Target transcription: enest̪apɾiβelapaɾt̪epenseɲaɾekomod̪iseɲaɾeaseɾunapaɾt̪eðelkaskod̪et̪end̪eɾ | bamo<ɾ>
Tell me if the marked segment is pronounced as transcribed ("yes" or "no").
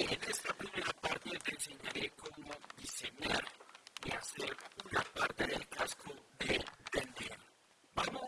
no